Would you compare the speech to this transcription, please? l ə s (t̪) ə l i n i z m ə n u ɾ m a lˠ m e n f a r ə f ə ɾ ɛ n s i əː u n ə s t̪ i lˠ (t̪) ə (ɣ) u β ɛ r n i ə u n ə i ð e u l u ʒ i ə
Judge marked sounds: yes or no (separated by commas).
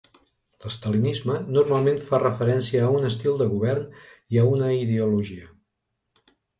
yes, no, yes